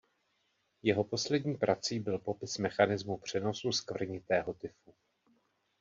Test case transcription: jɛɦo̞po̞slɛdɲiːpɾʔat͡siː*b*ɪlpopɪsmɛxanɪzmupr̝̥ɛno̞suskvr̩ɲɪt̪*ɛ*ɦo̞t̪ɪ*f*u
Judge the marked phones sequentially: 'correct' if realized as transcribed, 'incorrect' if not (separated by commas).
correct, incorrect, correct